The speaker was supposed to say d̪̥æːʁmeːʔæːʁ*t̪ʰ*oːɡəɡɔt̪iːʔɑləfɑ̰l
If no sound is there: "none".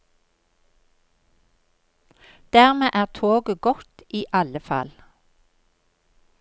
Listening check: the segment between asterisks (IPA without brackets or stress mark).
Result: t̪ʰ